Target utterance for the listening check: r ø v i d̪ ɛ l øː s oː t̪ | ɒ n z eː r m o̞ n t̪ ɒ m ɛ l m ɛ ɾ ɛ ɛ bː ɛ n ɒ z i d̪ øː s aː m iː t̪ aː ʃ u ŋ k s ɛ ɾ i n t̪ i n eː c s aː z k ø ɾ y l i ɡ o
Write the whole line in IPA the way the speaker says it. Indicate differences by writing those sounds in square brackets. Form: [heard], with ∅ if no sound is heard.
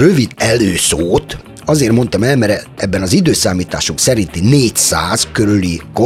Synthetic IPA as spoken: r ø v i d̪ ɛ l øː s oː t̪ | ɒ [∅] z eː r m o̞ n t̪ ɒ m ɛ l m ɛ ɾ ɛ ɛ bː ɛ n ɒ z i d̪ øː s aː m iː t̪ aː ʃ u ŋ k s ɛ ɾ i n t̪ i n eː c s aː z k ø ɾ y l i [k] o